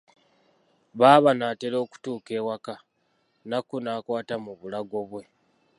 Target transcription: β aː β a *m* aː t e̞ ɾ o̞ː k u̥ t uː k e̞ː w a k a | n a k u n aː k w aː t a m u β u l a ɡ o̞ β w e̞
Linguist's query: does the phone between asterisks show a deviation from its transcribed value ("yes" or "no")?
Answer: yes